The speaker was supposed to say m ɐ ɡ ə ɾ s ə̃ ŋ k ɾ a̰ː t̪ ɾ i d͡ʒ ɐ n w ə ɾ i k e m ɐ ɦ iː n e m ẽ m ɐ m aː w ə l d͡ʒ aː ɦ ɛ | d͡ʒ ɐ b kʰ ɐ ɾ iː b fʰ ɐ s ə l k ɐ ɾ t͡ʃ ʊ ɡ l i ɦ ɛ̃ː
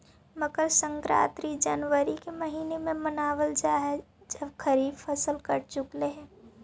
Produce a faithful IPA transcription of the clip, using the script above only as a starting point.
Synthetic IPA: m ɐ ɡ ə ɾ s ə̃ ŋ k ɾ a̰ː t̪ ɾ i d͡ʒ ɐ n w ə ɾ i k e m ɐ ɦ iː n e m ẽ m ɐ n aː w ə l d͡ʒ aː ɦ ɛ | d͡ʒ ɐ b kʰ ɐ ɾ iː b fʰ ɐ s ə l k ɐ ɾ t͡ʃ ʊ k l e ɦ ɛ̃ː